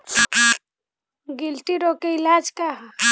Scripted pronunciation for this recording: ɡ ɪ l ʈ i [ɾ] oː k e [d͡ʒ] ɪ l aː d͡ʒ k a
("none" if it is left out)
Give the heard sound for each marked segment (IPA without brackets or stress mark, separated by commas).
ɾ, none